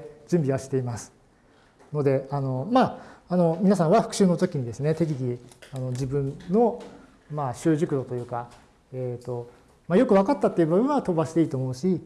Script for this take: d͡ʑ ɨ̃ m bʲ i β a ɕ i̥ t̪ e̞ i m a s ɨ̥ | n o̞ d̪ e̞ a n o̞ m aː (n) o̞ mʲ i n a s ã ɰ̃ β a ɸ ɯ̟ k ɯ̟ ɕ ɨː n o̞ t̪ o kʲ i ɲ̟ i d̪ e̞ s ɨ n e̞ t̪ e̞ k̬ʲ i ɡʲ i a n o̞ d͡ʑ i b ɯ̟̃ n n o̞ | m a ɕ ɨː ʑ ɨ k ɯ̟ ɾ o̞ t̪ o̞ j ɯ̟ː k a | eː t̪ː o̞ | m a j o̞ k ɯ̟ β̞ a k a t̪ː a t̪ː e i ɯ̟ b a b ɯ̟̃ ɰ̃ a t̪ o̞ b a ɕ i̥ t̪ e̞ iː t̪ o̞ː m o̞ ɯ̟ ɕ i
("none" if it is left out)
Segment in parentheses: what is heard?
n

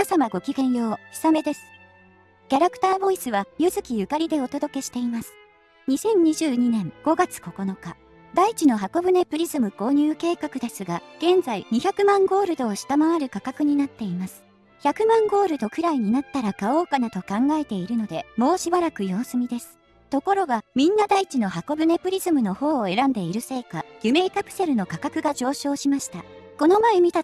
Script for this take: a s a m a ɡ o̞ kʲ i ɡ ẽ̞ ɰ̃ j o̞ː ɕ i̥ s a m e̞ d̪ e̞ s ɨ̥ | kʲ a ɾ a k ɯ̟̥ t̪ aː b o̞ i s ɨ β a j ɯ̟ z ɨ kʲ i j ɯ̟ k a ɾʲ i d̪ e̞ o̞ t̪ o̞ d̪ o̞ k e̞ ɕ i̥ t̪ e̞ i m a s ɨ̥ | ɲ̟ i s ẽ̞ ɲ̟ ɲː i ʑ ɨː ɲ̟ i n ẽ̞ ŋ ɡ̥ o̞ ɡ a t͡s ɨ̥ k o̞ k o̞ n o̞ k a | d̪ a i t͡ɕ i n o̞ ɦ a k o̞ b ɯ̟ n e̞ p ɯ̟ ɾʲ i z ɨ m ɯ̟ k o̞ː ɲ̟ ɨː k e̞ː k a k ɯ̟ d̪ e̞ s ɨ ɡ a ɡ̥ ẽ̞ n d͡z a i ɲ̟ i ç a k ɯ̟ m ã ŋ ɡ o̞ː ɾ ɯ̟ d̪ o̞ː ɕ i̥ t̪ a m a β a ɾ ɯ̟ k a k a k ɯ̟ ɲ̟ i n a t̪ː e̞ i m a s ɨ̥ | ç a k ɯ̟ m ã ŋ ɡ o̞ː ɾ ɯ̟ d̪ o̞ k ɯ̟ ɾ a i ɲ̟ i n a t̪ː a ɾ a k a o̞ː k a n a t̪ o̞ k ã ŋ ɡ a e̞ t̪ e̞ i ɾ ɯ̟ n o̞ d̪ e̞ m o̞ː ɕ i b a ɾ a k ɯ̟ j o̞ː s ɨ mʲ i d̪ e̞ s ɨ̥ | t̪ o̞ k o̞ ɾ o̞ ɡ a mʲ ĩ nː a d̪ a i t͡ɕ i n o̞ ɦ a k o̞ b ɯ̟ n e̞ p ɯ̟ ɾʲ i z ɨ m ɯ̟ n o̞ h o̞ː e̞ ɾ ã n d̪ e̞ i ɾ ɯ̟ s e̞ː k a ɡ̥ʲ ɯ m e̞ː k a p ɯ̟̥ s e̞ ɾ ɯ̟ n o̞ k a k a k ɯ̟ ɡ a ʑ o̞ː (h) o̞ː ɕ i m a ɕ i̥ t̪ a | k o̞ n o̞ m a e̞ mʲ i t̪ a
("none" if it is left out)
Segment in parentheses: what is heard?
ɕ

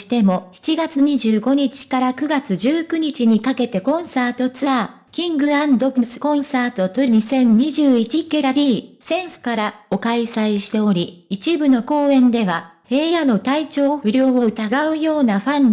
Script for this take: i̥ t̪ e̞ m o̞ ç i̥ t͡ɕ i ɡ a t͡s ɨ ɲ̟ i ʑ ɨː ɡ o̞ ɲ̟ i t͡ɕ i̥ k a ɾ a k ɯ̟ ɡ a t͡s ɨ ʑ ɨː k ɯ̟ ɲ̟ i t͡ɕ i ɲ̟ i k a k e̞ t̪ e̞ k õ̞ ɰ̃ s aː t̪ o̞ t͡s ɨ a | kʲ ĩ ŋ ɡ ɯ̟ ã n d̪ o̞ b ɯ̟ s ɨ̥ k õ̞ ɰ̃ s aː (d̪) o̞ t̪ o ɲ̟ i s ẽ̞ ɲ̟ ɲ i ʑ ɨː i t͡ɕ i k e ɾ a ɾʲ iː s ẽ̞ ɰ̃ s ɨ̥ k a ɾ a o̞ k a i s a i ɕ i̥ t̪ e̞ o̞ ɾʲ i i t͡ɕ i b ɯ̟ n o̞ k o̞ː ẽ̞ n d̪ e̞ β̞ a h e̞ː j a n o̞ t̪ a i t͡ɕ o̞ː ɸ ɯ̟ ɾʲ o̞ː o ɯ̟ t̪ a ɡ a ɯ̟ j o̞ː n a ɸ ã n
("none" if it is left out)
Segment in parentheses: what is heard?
t̪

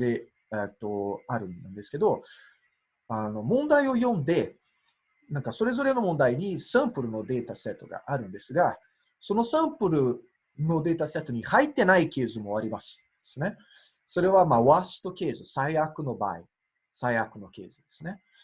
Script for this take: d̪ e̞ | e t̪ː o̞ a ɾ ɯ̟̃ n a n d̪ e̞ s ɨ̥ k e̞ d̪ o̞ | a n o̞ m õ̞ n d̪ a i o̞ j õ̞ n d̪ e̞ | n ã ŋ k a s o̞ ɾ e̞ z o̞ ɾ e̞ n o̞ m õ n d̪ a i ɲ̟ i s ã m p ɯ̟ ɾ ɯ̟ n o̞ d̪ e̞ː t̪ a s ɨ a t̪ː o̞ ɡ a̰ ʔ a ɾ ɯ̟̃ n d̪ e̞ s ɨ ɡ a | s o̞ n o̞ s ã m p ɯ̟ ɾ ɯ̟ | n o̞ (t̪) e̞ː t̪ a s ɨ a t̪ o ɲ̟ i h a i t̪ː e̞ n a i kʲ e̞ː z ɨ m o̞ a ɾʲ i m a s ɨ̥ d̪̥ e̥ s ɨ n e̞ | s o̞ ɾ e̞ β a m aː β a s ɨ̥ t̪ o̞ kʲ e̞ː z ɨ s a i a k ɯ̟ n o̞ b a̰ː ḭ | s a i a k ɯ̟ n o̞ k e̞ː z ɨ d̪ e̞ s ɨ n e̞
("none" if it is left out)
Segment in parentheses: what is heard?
d̪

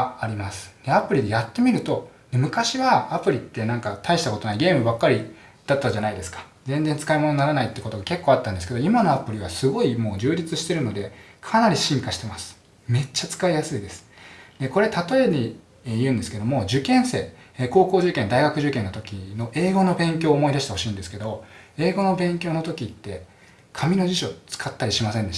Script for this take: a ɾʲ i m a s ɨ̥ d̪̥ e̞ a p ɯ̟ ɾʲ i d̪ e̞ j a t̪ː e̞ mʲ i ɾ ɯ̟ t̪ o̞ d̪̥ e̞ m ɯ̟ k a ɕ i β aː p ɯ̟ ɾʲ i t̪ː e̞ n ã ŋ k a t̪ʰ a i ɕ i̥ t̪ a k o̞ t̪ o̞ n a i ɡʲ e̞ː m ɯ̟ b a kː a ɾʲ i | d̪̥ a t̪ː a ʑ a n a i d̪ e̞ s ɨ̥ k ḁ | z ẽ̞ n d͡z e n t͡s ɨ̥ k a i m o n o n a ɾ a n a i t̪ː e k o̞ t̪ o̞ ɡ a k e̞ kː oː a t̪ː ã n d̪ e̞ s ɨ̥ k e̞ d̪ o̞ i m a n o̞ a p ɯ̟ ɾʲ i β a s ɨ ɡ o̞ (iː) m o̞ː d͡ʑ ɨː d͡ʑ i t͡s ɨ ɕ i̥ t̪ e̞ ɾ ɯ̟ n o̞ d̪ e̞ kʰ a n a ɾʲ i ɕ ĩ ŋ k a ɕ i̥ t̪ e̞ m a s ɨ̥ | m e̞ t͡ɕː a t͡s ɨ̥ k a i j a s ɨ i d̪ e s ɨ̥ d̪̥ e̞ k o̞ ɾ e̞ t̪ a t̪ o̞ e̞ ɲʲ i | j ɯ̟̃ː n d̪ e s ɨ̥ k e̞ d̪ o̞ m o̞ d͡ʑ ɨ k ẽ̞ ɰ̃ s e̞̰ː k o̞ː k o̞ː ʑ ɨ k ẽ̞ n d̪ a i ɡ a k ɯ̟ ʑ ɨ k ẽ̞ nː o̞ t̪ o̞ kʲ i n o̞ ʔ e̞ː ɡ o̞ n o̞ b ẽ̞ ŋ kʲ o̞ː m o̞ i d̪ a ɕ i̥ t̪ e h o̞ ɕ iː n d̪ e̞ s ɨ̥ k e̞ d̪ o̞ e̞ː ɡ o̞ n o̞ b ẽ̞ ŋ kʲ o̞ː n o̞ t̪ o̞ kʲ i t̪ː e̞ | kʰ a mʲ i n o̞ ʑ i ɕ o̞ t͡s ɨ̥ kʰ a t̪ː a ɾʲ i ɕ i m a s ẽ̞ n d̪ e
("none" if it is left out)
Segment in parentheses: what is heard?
i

